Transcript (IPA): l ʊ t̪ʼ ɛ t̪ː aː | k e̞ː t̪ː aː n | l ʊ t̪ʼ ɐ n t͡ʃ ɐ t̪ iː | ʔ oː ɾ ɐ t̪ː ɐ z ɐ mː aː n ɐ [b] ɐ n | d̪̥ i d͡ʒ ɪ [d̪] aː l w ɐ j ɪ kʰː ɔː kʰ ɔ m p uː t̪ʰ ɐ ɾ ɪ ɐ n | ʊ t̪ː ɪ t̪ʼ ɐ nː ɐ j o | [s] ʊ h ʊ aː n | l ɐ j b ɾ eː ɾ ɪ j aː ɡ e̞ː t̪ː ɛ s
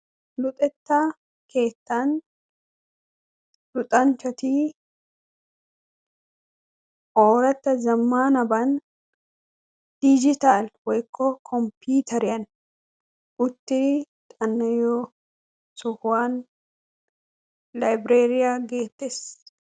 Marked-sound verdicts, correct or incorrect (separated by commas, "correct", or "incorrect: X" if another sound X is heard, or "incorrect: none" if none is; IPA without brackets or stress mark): correct, incorrect: t̪, correct